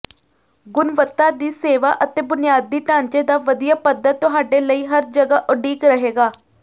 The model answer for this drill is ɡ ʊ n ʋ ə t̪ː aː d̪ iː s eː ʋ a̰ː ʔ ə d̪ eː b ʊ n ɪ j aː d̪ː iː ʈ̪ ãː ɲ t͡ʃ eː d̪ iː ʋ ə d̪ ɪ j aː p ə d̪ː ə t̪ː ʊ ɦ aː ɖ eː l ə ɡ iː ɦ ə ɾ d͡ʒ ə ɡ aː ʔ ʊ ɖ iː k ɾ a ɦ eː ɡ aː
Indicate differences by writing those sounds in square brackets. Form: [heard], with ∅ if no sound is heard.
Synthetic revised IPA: ɡ ʊ n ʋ ə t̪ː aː d̪ iː s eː ʋ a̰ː ʔ ə [t̪] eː b ʊ n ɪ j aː d̪ː iː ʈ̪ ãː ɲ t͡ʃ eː d̪ [aː] ʋ ə d̪ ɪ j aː p ə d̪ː ə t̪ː ʊ ɦ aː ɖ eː l ə [∅] iː ɦ ə ɾ d͡ʒ ə ɡ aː ʔ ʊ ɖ iː k ɾ [ə] ɦ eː ɡ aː